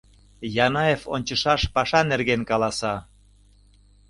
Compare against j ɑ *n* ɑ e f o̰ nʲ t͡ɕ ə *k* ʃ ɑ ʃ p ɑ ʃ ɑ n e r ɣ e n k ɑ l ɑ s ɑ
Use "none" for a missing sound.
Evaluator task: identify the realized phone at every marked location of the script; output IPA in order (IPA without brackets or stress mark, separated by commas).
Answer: n, none